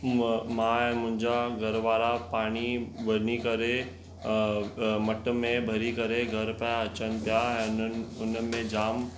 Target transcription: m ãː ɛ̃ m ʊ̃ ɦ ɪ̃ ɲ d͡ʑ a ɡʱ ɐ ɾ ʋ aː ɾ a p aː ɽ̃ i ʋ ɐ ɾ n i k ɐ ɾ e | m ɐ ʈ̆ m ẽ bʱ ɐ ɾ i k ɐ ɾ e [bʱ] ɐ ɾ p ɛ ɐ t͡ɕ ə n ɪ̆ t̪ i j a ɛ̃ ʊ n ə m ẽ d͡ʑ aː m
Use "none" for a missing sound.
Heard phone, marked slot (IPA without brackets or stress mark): ɡʱ